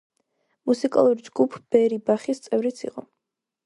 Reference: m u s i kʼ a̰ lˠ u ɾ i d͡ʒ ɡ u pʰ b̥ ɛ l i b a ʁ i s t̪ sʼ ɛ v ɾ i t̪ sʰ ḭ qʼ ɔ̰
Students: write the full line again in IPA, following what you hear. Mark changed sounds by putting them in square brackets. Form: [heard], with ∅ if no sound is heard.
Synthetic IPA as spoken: m u s i kʼ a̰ lˠ u ɾ i d͡ʒ ɡ u pʰ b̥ ɛ [ɾ] i b a [χ] i s t̪ sʼ ɛ v ɾ i t̪ sʰ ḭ qʼ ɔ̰